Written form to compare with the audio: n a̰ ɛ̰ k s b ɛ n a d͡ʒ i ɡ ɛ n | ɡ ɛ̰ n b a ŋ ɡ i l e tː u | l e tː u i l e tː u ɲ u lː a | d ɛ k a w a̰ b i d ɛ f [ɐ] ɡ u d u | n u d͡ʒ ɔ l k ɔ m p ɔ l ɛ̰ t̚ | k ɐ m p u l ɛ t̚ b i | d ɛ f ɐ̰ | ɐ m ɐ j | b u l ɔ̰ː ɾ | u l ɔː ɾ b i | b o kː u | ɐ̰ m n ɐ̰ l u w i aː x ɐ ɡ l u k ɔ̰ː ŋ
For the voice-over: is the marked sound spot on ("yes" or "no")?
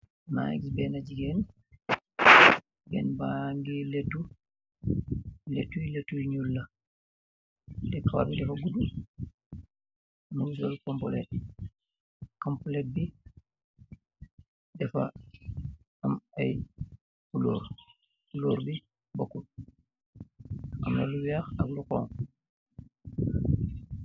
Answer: no